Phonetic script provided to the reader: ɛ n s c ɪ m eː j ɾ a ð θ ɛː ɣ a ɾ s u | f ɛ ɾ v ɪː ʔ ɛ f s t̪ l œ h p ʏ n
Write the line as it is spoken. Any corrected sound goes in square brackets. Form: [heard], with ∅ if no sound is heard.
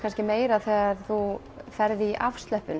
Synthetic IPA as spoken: [a] n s c ɪ m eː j ɾ a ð θ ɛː ɣ a ɾ [θ] u | f ɛ ɾ [ð] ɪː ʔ [a] f s t̪ l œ h p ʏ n